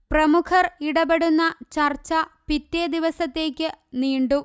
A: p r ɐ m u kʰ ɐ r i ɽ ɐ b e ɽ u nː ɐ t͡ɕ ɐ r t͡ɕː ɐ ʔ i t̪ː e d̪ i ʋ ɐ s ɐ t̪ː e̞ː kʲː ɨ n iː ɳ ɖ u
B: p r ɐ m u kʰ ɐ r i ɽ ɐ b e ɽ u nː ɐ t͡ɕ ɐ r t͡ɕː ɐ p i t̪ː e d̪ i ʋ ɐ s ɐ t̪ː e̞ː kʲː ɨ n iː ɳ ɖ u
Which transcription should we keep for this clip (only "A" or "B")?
B